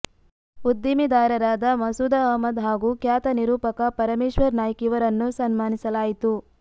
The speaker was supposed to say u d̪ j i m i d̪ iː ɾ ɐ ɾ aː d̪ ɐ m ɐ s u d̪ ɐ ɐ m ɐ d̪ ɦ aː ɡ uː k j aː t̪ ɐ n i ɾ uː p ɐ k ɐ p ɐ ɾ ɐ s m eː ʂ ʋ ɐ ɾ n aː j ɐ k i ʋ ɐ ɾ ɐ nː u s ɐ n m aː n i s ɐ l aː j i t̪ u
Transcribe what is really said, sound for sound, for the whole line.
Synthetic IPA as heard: u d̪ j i m i d̪ aː ɾ ɐ ɾ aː d̪ ɐ m ɐ s u d̪ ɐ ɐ m ɐ d̪ ɦ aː ɡ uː k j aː t̪ ɐ n i ɾ uː p ɐ k ɐ p ɐ ɾ ɐ m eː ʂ ʋ ɐ ɾ n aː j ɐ k i ʋ ɐ ɾ ɐ nː u s ɐ n m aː n i s ɐ l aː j i t̪ u